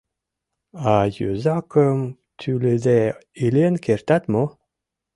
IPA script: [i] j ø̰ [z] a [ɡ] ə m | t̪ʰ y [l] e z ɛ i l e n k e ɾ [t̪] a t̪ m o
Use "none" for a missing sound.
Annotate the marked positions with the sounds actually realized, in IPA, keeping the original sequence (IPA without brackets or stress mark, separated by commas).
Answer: a, z, k, l, t̪